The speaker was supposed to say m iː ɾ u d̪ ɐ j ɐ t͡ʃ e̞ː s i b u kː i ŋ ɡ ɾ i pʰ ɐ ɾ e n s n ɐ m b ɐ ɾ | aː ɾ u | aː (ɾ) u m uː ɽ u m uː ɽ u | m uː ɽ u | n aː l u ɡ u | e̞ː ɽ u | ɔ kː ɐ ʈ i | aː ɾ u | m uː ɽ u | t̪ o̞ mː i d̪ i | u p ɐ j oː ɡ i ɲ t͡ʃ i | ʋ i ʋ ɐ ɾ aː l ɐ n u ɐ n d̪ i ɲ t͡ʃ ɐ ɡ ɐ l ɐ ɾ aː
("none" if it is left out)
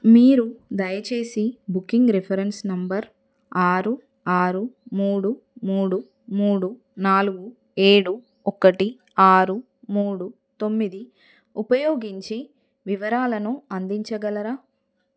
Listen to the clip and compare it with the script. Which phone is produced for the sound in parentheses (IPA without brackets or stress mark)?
ɾ